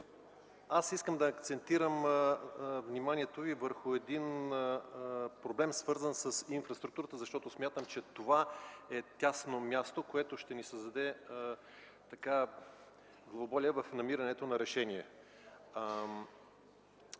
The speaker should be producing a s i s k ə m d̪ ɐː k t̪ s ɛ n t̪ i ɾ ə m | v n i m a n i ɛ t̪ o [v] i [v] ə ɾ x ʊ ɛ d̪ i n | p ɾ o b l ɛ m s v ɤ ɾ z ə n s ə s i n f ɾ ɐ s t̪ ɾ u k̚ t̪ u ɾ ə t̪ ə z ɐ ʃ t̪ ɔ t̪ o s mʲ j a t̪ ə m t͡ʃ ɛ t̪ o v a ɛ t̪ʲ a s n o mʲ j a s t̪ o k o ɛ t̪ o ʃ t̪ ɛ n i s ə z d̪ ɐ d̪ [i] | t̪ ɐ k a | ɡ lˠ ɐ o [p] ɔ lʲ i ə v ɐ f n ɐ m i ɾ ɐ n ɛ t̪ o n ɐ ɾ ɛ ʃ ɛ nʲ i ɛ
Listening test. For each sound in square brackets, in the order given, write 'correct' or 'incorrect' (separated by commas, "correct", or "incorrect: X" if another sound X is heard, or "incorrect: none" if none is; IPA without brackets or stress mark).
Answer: correct, correct, incorrect: ɛ, incorrect: b